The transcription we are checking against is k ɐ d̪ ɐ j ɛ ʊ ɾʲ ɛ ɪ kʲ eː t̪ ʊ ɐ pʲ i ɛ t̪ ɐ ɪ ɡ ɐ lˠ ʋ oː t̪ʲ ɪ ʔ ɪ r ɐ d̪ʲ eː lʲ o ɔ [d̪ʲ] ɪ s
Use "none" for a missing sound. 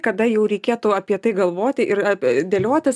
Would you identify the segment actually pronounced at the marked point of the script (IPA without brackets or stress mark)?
t̪ʲ